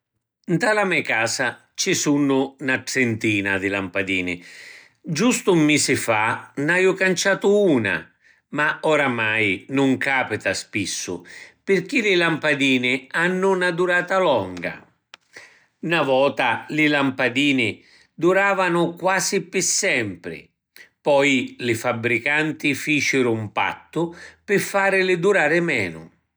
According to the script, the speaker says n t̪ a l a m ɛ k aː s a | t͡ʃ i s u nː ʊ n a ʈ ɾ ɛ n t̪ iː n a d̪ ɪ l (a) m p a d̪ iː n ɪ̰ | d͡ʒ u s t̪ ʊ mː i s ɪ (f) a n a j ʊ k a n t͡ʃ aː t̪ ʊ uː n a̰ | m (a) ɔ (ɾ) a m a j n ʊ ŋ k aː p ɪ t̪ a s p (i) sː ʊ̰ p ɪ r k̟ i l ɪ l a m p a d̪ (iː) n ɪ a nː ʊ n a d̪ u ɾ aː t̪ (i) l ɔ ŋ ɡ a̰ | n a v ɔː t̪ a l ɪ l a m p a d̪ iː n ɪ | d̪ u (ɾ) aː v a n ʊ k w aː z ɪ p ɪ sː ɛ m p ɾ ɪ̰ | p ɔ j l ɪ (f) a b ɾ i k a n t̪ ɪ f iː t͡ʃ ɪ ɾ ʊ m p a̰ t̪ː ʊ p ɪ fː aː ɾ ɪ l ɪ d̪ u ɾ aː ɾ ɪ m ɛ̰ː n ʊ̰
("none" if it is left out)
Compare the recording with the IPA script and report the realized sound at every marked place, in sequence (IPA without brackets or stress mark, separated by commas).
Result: a, f, a, ɾ, i, iː, a, ɾ, f